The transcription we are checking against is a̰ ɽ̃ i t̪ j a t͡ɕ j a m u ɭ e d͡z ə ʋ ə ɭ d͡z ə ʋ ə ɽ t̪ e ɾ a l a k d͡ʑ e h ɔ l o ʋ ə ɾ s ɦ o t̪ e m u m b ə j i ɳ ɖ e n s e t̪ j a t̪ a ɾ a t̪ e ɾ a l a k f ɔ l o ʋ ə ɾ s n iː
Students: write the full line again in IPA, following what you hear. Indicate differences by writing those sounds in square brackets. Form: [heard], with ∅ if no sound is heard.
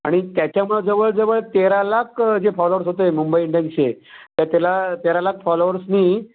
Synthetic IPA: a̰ ɽ̃ i t̪ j a t͡ɕ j a m u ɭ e d͡z ə ʋ ə ɭ d͡z ə ʋ ə [ɭ] t̪ e ɾ a l a k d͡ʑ e [f] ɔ l o ʋ ə ɾ s ɦ o t̪ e m u m b ə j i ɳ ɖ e n s e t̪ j a t̪ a [l] a t̪ e ɾ a l a k f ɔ l o ʋ ə ɾ s n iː